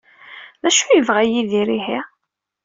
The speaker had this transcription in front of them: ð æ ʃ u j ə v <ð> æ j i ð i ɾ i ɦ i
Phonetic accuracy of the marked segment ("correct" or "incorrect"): incorrect